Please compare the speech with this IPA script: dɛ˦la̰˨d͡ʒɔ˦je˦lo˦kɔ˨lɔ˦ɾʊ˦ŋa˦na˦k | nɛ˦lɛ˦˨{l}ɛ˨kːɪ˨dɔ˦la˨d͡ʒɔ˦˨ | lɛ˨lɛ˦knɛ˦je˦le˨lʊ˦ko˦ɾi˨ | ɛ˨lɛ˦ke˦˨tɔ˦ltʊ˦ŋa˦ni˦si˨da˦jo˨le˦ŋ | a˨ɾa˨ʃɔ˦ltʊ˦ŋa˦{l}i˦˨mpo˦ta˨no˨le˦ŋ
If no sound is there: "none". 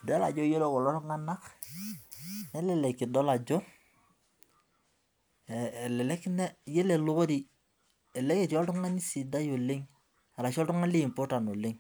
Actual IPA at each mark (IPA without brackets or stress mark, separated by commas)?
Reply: l, l